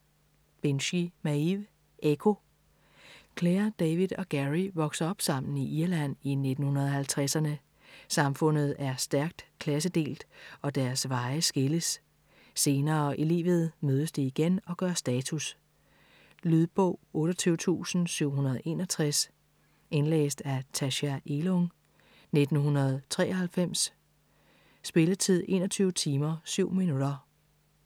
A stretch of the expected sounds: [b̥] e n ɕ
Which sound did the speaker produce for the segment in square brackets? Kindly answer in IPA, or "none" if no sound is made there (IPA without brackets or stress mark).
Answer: b̥